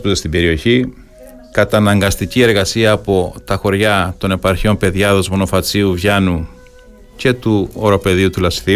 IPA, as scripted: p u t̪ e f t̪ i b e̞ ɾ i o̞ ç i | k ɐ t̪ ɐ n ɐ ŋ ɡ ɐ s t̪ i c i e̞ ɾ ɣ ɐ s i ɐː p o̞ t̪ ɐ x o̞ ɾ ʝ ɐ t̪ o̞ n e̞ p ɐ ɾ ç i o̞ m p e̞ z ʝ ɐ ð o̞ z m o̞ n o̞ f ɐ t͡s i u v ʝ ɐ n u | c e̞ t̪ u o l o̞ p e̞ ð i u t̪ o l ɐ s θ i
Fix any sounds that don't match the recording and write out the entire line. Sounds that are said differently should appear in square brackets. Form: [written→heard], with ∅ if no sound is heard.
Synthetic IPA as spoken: p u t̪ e [f→s] t̪ i b e̞ ɾ i o̞ ç i | k ɐ t̪ ɐ n ɐ ŋ ɡ ɐ s t̪ i c i e̞ ɾ ɣ ɐ s i ɐː p o̞ t̪ ɐ x o̞ ɾ ʝ ɐ t̪ o̞ n e̞ p ɐ ɾ ç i o̞ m p e̞ [z→ð] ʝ ɐ ð o̞ z m o̞ n o̞ f ɐ t͡s i u v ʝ ɐ n u | c e̞ t̪ u o [l→ɾ] o̞ p e̞ ð i u t̪ [o→u] l ɐ s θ i